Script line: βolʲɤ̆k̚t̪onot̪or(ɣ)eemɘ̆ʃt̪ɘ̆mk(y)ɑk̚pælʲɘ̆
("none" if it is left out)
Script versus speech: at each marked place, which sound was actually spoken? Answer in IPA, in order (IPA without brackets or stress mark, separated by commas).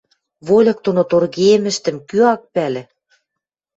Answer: ɣ, y